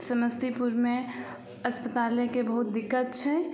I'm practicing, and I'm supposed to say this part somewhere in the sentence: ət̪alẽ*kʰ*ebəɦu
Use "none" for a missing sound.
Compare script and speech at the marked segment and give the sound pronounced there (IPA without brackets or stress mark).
k